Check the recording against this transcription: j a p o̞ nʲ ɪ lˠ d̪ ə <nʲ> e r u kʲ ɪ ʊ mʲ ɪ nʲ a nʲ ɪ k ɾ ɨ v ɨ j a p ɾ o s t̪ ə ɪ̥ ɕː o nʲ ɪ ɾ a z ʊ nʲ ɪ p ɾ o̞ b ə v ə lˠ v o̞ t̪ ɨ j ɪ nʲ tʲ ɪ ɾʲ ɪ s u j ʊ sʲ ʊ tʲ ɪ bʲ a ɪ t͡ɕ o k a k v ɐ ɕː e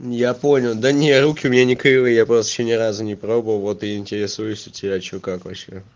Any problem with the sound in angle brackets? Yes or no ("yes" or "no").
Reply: no